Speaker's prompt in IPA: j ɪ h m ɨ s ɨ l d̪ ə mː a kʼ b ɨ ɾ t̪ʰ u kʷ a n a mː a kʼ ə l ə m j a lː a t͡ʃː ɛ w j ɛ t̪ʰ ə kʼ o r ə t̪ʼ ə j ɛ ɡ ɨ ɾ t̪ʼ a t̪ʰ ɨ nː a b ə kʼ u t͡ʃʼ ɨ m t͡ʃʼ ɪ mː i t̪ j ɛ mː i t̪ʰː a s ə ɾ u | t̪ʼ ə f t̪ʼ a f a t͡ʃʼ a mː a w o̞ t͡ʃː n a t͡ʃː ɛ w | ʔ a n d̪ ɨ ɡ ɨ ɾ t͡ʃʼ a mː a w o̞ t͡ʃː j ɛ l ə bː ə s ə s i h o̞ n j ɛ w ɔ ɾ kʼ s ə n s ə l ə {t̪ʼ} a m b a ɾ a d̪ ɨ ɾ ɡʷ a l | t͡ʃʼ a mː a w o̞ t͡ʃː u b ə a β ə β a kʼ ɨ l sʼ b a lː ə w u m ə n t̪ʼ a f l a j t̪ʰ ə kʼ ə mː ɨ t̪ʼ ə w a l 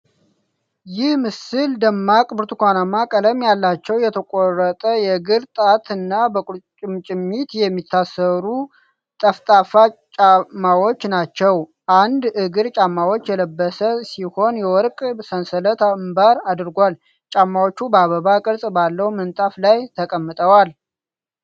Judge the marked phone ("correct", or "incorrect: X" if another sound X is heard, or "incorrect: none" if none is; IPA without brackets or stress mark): incorrect: t̪